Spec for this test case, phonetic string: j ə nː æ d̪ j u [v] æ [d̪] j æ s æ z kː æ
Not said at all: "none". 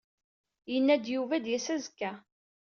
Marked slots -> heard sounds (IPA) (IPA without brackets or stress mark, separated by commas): v, d̪